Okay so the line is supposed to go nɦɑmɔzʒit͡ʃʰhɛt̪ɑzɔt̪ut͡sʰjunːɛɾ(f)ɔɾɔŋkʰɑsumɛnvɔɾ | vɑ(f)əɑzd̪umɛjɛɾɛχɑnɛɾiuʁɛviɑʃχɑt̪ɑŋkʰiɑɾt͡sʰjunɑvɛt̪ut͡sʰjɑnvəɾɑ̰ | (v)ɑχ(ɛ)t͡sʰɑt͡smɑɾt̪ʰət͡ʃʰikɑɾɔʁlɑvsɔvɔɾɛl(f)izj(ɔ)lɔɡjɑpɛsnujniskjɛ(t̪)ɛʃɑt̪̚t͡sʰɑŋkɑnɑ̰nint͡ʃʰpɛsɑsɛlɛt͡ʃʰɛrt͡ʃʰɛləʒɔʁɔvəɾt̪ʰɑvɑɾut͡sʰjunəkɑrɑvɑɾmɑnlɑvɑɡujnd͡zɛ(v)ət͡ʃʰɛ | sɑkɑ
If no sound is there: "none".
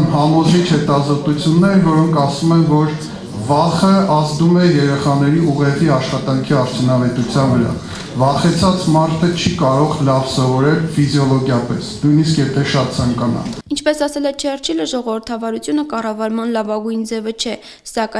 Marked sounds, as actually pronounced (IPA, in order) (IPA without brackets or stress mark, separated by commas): v, χ, v, ɛ, f, ɔ, t̪ʰ, v